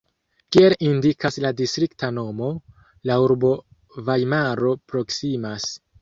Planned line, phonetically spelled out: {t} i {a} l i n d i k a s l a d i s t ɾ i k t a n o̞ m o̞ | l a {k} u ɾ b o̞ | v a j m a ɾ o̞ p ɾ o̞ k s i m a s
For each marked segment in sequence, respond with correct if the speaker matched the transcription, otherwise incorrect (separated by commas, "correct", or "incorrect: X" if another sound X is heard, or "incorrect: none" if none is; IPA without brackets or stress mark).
incorrect: k, incorrect: e, incorrect: none